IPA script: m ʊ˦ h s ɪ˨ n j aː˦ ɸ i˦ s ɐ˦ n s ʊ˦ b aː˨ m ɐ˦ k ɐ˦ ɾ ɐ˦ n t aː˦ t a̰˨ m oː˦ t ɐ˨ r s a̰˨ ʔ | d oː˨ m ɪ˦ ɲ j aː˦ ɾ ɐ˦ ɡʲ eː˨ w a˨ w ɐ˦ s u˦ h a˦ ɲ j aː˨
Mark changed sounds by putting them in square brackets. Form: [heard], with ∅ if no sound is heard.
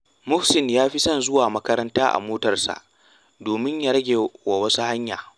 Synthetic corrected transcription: m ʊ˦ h s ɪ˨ n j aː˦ ɸ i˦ s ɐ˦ n [z] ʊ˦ [w] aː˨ m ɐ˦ k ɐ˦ ɾ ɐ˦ n t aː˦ [ʔ] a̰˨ m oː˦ t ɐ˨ r s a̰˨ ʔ | d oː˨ m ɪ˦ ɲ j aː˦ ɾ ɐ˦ ɡʲ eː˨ w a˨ w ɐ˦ s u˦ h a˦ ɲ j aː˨